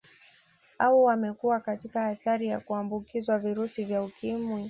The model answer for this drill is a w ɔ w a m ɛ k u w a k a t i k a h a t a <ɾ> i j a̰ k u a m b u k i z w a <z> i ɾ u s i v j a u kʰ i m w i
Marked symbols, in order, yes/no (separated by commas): yes, no